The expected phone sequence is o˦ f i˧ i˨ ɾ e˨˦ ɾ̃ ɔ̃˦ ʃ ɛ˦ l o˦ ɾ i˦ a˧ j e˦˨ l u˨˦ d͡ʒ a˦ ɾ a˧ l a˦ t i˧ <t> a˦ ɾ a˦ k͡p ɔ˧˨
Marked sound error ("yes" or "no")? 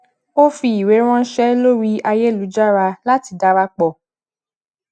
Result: yes